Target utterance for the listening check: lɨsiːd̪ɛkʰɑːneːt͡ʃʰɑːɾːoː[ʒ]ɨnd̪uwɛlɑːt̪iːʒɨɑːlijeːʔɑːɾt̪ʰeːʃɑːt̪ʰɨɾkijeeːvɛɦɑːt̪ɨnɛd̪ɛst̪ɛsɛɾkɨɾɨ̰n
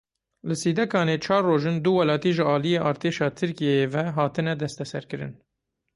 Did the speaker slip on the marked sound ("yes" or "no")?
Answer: no